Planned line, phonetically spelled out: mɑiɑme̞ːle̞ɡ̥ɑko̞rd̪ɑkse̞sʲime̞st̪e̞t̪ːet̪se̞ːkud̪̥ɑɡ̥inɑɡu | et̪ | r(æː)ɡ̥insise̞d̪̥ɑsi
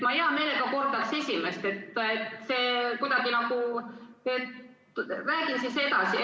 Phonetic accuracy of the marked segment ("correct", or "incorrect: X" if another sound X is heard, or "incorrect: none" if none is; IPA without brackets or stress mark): correct